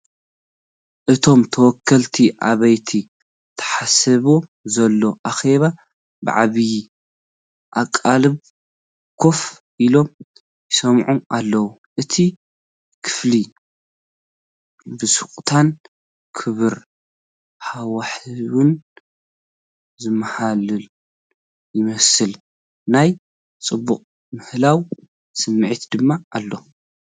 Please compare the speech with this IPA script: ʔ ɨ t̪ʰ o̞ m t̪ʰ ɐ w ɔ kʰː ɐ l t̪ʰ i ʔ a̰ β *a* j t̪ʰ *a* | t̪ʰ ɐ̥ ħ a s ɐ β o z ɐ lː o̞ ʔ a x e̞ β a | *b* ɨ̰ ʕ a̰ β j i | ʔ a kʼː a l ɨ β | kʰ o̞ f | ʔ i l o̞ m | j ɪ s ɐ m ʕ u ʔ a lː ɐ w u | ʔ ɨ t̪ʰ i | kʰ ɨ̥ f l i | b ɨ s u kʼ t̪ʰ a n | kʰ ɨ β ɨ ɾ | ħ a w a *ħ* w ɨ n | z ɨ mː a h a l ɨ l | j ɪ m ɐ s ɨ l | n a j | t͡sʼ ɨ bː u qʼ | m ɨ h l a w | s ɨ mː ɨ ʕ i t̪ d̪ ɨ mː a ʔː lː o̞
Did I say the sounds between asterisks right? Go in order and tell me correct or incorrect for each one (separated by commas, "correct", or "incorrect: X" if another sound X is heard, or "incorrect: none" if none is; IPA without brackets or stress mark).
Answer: incorrect: ɐ, incorrect: i, correct, correct